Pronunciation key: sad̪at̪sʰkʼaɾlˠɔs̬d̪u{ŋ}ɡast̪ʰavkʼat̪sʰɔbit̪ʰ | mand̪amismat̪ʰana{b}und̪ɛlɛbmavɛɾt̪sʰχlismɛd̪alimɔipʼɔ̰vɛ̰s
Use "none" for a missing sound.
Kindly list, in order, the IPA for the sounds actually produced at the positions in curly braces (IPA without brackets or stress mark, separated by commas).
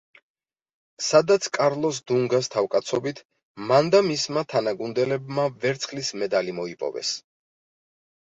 ŋ, ɡ